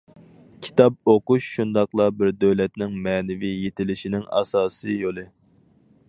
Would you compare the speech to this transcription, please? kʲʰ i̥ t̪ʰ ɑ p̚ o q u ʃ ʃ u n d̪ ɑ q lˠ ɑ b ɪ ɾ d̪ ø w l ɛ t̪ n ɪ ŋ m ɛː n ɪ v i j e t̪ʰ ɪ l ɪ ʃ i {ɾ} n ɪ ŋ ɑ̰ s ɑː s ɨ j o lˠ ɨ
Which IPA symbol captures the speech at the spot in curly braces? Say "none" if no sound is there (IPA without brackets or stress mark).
none